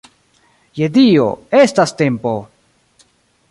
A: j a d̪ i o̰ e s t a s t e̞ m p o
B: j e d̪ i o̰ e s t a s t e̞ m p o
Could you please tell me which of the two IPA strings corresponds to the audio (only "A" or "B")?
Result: B